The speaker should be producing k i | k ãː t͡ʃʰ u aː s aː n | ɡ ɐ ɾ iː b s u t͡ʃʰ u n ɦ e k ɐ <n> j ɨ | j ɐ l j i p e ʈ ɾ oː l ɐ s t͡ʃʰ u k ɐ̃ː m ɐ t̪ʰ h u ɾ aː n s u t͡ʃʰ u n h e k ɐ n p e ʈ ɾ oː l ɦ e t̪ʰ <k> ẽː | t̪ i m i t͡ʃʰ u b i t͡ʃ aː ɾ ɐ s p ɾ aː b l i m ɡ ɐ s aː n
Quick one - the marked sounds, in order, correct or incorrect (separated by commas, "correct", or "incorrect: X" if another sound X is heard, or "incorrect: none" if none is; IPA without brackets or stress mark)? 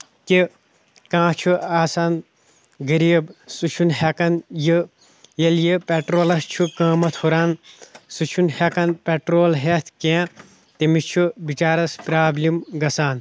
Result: correct, correct